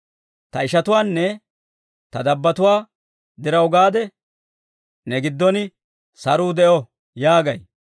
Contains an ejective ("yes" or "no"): no